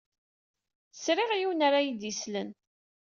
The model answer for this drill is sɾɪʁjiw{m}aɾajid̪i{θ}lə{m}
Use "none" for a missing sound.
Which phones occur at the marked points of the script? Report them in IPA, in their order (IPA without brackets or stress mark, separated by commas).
n, s, n